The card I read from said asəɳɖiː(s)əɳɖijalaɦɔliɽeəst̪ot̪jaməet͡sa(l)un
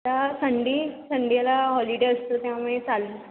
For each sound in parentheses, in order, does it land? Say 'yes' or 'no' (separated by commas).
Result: yes, yes